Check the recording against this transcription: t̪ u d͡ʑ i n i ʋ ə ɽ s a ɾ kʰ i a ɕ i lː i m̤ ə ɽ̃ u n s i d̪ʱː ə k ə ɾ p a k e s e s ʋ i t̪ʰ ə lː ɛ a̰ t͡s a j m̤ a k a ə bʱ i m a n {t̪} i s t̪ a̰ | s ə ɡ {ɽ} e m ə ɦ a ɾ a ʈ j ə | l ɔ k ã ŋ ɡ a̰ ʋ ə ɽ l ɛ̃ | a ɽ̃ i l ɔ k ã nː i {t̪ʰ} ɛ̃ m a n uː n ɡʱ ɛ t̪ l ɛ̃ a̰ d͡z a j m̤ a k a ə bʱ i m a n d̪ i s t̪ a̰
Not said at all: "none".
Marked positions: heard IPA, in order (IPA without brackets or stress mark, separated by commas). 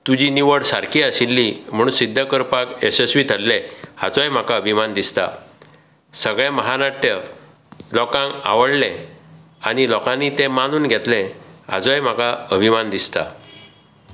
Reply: d̪, ɭ, t̪